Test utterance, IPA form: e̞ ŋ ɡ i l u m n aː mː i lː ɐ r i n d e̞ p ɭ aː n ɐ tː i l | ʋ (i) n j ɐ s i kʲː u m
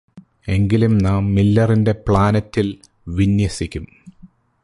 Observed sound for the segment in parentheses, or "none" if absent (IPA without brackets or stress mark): i